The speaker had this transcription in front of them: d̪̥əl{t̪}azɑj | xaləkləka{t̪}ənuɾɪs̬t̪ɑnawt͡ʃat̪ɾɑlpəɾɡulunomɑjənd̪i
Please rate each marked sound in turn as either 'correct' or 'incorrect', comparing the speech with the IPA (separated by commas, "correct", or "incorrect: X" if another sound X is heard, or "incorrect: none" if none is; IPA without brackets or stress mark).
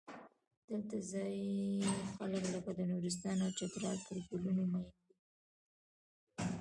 correct, incorrect: d̪